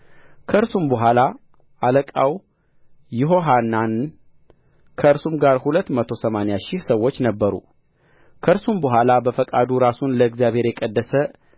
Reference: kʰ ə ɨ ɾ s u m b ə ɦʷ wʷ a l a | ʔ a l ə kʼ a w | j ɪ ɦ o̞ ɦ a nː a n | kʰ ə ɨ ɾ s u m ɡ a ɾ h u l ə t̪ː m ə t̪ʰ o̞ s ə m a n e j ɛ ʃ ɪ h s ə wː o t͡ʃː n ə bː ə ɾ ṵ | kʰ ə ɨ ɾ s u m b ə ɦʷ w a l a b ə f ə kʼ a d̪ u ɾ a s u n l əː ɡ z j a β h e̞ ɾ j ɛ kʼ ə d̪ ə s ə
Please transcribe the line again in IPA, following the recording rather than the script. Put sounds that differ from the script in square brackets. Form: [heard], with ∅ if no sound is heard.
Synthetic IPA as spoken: kʰ ə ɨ ɾ s u m b ə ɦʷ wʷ a l a | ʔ a l ə kʼ a w | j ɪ ɦ o̞ ɦ a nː a n | kʰ ə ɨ ɾ s u m ɡ a ɾ h u l ə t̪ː m ə t̪ʰ o̞ s ə m a n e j [a] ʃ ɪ h s ə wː o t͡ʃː n ə bː ə ɾ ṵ | kʰ ə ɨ ɾ s u m b ə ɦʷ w a l a b ə f ə kʼ a d̪ u ɾ a s u n l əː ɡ z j a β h e̞ ɾ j ɛ kʼ ə [d̪ː] ə s ə